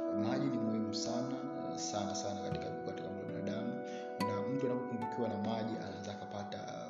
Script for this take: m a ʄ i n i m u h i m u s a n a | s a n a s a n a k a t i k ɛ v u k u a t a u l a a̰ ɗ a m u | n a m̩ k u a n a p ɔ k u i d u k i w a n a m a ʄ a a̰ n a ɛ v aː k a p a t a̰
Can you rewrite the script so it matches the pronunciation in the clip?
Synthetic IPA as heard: m a ʄ i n i m u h i m u s a n a | s a n a s a n a k a t i k a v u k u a t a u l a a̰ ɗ a m u | n a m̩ t u a n a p ɔ k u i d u k i w a n a m a ʄ i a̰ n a ɛ z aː k a p a t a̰